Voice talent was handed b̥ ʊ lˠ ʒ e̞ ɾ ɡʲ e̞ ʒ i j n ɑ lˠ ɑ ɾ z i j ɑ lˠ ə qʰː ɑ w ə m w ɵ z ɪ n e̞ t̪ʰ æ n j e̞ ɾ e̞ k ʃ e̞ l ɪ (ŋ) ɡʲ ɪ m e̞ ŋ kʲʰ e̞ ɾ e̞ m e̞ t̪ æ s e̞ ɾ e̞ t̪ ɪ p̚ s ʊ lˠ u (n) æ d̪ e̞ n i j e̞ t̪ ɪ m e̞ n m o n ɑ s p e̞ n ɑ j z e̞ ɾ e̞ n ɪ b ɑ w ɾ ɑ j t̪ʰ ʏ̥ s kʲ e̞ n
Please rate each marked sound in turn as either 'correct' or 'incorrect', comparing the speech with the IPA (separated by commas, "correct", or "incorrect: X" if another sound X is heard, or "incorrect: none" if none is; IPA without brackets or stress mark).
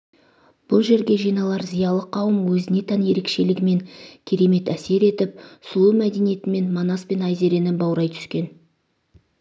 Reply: incorrect: none, incorrect: m